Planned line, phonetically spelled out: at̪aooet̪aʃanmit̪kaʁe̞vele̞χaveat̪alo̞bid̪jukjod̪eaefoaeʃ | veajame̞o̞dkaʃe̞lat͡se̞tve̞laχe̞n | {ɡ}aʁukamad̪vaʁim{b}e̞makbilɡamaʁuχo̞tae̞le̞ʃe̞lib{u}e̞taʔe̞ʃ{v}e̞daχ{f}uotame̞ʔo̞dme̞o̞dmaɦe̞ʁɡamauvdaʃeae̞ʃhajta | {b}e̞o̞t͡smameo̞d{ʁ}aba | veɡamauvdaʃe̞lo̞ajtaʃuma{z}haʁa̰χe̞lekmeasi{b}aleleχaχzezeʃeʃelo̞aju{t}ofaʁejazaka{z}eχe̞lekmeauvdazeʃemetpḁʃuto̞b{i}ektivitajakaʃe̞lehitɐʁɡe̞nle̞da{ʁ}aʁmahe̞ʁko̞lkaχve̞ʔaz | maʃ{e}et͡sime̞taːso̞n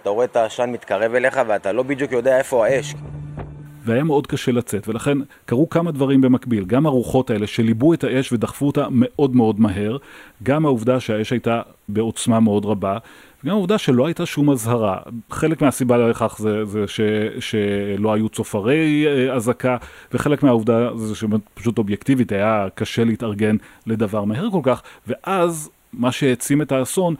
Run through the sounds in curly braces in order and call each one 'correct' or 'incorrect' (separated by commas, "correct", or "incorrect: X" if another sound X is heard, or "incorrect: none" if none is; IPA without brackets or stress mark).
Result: incorrect: k, correct, correct, correct, correct, correct, correct, correct, correct, incorrect: t͡s, incorrect: v, incorrect: j, incorrect: v, correct